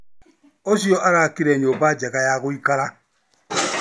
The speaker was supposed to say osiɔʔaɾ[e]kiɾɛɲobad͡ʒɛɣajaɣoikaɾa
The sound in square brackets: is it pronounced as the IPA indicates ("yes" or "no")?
no